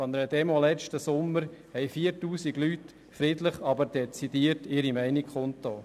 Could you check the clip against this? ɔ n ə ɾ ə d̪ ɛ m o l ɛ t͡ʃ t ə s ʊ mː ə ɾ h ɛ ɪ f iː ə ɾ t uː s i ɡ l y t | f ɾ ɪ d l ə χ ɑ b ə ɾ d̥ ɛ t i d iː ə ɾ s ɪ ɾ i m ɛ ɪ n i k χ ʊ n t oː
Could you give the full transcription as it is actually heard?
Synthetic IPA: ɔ n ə ɾ ə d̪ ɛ m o l ɛ t͡ʃ t ə s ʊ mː ə ɾ h ɛ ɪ f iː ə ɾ t uː s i ɡ l y t | f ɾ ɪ d l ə χ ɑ b ə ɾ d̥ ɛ t͡s i d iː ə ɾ t ɪ ɾ i m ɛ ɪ n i k χ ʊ n t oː